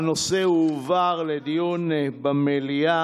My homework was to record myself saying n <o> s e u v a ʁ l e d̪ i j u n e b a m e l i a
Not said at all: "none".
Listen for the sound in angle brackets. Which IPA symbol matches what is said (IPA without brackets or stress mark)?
o